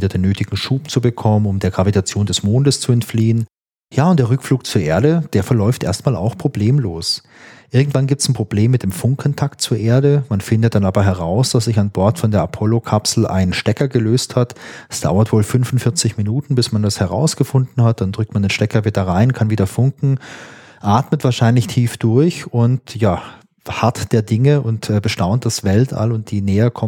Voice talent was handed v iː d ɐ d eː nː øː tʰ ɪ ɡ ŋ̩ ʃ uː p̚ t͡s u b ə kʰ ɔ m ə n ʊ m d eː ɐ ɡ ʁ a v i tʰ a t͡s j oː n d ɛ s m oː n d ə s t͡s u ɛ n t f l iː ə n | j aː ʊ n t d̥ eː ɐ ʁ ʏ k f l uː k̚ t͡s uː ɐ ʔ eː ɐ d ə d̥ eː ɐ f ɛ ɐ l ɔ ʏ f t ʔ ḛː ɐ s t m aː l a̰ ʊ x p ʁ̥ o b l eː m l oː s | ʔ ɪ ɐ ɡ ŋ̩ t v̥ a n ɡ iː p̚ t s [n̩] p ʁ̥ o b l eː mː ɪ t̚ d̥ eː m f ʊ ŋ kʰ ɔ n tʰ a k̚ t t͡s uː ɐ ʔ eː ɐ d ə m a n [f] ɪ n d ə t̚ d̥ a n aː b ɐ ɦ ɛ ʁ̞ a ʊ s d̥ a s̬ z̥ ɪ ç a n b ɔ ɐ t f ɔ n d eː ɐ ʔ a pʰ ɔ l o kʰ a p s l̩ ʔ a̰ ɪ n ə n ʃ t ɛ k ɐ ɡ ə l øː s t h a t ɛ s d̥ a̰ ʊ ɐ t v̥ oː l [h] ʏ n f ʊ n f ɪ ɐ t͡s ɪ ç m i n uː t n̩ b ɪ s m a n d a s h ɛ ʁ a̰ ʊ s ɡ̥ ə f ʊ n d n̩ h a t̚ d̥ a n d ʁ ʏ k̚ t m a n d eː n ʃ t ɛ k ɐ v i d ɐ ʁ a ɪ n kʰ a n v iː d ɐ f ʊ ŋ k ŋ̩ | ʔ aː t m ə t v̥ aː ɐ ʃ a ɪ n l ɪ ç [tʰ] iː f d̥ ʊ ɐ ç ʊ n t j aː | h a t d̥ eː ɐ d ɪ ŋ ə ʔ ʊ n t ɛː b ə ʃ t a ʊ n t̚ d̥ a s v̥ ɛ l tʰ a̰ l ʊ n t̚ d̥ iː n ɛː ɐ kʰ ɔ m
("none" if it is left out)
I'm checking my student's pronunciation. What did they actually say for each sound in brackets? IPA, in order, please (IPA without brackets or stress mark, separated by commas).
n̩, f, f, tʰ